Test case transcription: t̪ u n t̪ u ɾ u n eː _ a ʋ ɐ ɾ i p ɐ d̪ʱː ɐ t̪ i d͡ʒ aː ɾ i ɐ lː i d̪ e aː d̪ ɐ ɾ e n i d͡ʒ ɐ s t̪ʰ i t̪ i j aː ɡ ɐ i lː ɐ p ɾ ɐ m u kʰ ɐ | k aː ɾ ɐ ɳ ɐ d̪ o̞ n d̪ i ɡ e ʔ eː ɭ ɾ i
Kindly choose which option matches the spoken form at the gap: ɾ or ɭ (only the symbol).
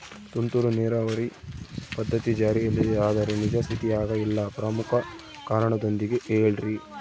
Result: ɾ